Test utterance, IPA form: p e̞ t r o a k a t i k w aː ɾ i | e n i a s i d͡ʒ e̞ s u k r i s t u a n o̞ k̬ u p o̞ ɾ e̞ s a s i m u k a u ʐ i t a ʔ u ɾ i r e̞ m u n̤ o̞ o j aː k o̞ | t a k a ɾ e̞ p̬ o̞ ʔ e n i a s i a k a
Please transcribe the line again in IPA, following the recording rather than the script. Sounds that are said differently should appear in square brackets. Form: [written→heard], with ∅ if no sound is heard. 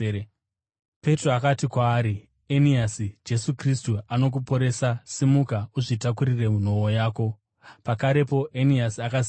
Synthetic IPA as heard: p e̞ t r o a k a t i k w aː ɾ i | e n i a s i d͡ʒ e̞ s u k r i s t u a n o̞ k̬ u p o̞ ɾ e̞ s a s i m u k a u ʐ i t a [ʔ→k] u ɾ i r e̞ m u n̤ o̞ o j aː k o̞ | [t→p] a k a ɾ e̞ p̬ o̞ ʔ e n i a s i a k a